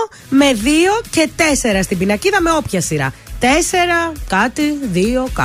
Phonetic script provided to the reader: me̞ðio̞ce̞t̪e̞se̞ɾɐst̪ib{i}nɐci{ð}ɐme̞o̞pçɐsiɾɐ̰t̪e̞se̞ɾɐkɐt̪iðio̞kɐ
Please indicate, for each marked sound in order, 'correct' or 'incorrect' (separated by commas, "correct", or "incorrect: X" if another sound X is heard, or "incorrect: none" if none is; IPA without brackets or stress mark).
correct, correct